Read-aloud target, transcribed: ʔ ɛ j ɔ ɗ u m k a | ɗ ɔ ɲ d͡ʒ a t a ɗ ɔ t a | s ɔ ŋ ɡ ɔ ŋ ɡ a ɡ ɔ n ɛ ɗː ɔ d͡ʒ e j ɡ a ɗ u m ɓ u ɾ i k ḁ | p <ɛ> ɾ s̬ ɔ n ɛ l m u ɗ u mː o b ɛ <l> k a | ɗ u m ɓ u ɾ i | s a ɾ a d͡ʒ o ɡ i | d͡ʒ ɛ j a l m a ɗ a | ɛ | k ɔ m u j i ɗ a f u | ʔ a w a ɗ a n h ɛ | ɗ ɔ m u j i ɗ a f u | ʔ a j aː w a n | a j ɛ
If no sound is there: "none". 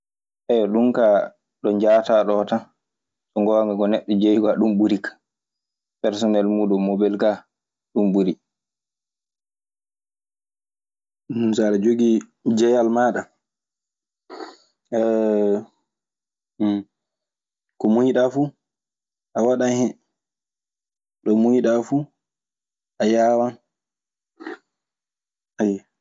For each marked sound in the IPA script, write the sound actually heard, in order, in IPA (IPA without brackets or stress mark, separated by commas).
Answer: ɛ, l